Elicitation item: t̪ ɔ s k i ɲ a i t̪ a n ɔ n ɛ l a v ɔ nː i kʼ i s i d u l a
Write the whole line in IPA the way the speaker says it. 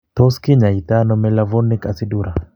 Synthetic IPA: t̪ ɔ s k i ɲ a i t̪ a n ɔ m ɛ l a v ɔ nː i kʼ a s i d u ɾ a